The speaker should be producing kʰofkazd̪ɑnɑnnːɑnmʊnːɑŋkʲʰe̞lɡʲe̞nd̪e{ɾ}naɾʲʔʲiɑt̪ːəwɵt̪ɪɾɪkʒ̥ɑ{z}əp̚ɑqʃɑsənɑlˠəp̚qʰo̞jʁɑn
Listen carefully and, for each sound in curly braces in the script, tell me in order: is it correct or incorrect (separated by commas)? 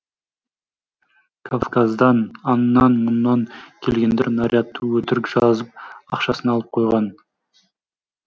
correct, correct